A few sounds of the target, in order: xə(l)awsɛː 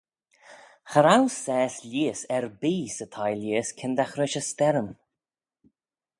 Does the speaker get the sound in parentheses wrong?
yes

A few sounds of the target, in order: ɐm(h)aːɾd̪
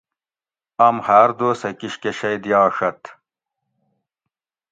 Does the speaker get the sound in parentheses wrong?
no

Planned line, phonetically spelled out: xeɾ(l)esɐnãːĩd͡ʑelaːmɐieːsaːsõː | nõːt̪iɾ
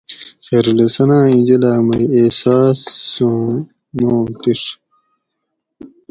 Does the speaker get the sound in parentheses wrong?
no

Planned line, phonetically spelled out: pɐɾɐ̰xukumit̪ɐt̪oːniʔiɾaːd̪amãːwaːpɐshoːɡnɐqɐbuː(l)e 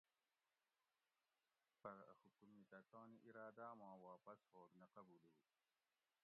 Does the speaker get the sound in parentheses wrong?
no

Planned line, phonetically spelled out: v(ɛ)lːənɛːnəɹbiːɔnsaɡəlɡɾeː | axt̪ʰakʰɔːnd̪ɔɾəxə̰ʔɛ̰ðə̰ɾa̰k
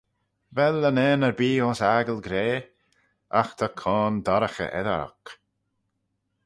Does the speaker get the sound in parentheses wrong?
no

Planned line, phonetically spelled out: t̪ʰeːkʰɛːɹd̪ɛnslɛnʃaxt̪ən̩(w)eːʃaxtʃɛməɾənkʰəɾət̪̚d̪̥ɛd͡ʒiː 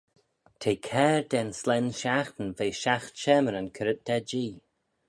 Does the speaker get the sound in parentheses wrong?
yes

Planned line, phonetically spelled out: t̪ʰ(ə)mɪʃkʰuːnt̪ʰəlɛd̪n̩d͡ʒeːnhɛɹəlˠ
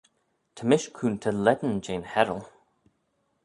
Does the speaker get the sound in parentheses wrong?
no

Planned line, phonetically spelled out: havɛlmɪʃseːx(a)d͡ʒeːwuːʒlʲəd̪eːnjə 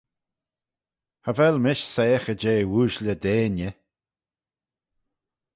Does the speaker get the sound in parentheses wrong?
yes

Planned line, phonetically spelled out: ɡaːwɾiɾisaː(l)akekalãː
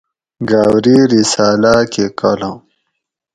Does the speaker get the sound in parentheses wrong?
no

